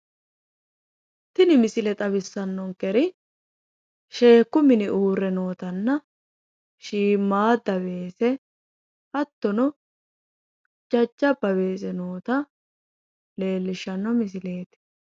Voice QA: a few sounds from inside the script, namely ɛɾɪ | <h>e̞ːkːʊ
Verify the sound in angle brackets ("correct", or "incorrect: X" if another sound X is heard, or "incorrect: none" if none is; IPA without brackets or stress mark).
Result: incorrect: ʃ